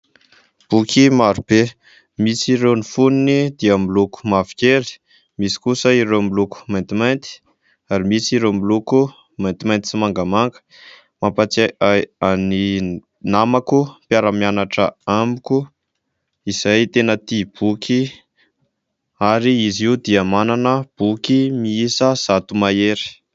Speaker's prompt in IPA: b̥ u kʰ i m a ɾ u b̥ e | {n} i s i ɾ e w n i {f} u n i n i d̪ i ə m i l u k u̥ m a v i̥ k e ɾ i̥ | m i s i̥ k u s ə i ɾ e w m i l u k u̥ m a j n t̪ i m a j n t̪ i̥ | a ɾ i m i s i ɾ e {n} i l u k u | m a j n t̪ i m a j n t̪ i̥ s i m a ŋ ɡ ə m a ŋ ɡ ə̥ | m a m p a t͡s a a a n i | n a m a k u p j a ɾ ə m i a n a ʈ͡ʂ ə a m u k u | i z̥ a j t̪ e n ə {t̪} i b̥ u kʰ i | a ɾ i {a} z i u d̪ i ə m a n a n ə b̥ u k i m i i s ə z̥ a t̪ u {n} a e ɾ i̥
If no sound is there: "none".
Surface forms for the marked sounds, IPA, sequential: m, f, m, t̪, i, m

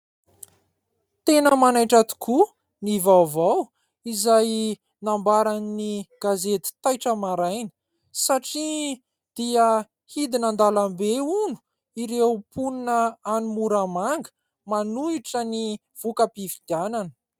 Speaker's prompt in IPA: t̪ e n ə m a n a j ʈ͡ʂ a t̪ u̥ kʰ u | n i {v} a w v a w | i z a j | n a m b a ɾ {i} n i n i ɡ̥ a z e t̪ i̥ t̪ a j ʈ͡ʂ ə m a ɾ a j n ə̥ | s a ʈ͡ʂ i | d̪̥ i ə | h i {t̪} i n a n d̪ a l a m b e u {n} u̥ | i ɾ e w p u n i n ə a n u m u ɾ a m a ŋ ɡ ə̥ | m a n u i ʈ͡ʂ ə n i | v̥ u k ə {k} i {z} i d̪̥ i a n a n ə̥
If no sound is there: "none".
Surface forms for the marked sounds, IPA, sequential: v, a, d̪, n, p, v

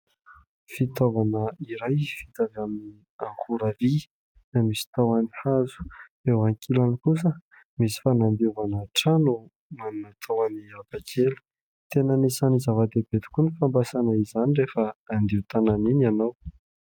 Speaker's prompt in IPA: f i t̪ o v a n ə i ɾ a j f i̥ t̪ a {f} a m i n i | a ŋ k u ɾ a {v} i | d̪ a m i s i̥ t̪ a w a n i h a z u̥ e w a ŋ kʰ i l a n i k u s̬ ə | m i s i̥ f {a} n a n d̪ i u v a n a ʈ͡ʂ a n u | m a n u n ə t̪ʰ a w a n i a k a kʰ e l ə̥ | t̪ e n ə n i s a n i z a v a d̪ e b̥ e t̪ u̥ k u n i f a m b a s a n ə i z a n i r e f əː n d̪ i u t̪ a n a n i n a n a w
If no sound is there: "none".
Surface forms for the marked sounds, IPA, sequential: v, v, a

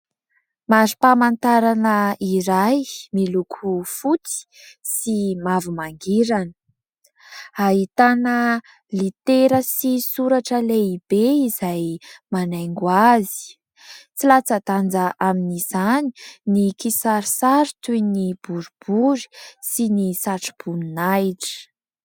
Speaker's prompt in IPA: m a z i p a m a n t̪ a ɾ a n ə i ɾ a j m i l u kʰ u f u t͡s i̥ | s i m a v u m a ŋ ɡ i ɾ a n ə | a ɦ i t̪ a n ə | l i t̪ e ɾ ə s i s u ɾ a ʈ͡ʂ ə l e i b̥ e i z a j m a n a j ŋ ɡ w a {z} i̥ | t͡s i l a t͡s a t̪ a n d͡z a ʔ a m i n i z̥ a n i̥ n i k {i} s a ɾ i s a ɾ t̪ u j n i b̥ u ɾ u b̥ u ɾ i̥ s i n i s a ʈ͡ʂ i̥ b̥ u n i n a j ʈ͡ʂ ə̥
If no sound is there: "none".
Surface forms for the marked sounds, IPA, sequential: z, i

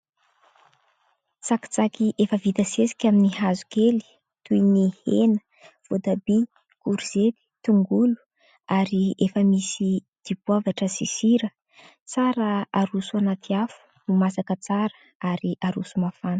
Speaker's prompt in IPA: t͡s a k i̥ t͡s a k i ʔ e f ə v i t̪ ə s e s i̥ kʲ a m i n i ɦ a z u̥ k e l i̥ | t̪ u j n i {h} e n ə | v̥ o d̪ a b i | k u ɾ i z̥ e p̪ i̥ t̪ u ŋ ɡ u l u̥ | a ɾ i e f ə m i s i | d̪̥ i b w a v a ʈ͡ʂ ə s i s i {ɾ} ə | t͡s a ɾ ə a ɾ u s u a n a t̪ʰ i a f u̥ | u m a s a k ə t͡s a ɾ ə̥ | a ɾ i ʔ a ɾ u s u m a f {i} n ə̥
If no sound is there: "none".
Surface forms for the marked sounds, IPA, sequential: h, ɾ, a

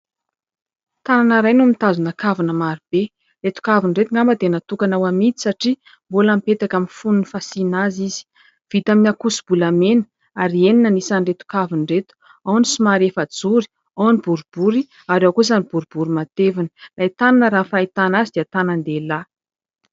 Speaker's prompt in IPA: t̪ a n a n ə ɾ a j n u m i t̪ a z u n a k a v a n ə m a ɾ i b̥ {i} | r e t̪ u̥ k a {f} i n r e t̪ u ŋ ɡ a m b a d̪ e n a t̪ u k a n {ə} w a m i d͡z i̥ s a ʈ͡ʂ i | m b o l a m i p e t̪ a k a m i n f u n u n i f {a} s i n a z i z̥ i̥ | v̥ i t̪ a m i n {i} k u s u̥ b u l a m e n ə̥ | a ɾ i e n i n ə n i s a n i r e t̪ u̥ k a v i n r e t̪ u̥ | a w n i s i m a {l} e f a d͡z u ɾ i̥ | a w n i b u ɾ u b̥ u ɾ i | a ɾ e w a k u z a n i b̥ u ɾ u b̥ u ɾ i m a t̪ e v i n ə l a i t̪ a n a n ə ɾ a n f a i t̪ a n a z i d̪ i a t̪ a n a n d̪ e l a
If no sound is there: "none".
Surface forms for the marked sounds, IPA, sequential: e, v, a, a, a, ɾ

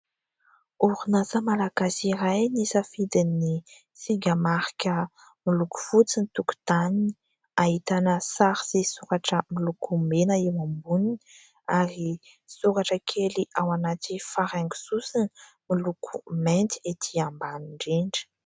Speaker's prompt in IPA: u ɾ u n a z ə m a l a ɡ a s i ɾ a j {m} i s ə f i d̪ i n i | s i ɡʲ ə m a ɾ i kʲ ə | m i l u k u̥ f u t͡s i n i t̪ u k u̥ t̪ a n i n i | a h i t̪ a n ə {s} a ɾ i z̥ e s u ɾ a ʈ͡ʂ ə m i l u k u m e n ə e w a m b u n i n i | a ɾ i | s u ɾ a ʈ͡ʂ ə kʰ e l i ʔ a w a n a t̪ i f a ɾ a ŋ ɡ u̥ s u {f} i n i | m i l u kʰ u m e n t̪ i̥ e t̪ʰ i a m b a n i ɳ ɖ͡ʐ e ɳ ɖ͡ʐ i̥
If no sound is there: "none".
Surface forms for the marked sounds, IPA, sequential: n, s, s

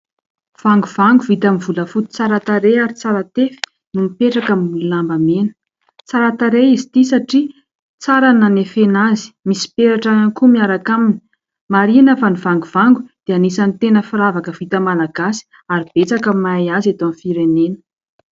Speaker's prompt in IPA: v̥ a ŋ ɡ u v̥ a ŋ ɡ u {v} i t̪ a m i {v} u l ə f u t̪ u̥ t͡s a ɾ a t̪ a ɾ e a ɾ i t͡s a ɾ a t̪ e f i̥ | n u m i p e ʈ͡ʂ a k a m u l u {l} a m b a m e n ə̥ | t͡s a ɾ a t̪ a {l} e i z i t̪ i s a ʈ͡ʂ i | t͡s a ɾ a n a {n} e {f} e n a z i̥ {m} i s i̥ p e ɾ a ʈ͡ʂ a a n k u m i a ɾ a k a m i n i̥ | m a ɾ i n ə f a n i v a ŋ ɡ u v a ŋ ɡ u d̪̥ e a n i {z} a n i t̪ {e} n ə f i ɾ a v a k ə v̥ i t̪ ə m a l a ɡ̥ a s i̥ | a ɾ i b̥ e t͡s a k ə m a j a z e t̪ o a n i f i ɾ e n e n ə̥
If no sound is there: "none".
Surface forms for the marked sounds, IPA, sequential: v, v, l, ɾ, n, f, m, s, e

